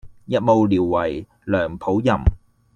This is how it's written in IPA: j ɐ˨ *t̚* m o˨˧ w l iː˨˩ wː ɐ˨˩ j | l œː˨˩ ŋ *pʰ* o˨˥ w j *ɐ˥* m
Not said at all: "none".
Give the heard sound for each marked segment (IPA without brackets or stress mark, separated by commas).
t̚, pʰ, ɐ˨˩